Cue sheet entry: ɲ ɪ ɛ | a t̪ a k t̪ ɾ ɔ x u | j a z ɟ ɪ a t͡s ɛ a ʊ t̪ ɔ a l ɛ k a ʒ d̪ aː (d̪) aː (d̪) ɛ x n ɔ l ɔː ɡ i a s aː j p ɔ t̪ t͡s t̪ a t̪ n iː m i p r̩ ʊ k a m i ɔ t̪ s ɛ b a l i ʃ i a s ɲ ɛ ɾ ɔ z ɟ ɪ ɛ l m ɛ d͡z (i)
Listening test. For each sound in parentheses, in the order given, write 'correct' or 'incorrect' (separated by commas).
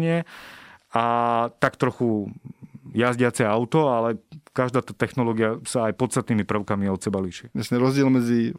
incorrect, incorrect, correct